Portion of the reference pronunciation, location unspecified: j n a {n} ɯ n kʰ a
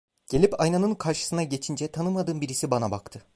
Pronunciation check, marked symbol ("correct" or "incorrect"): correct